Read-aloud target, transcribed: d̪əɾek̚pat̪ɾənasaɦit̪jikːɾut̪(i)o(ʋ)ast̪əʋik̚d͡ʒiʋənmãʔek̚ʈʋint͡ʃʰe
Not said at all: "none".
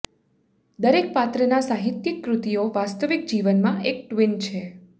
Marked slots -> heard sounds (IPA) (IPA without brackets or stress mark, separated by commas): i, ʋ